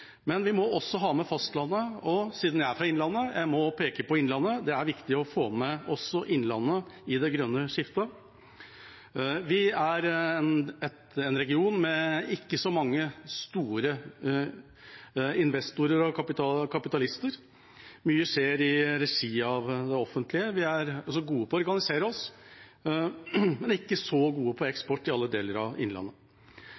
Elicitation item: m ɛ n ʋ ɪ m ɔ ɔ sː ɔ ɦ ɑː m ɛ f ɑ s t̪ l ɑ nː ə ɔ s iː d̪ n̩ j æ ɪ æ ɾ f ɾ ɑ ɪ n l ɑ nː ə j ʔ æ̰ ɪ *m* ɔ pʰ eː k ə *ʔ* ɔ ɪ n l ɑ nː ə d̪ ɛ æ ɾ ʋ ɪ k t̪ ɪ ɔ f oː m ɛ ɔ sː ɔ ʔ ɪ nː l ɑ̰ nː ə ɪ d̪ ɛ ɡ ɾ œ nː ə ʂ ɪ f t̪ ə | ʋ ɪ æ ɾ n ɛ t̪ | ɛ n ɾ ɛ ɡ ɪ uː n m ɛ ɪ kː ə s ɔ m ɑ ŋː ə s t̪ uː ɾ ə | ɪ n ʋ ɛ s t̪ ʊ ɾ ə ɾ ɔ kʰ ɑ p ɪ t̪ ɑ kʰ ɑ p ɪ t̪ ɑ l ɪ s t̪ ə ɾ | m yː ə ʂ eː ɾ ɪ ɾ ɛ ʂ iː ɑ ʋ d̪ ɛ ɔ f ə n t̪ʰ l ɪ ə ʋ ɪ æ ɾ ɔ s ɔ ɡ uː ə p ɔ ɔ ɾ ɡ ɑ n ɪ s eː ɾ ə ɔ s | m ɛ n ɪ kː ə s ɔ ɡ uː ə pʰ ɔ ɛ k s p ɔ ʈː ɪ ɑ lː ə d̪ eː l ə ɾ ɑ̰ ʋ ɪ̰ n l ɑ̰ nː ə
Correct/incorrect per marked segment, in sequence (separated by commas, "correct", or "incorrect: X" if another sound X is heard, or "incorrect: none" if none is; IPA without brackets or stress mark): correct, incorrect: p